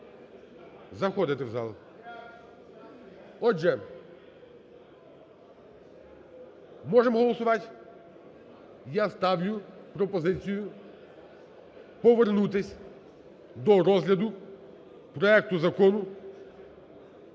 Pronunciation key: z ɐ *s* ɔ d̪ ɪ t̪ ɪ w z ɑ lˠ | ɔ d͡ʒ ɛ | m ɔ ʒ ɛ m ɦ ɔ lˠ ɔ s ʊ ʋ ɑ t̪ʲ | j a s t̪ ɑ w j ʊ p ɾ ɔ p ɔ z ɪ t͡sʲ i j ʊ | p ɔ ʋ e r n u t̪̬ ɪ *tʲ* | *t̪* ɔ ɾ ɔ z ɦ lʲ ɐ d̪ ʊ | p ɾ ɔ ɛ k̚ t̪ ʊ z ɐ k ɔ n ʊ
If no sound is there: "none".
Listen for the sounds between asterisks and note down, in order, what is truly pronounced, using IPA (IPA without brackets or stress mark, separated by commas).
x, sʲ, d̪